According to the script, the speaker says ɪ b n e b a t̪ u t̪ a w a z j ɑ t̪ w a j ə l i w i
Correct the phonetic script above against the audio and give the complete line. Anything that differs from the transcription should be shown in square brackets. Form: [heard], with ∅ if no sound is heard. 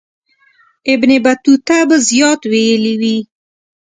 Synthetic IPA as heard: ɪ b n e b a t̪ u t̪ a [b] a z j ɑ t̪ w [e] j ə l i w i